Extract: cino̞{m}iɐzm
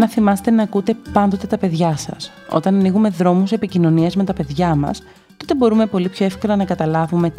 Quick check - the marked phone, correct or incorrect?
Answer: incorrect